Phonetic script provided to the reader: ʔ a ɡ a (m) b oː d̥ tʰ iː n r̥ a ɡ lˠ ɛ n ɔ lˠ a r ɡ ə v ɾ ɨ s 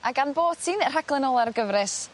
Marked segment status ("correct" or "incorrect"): incorrect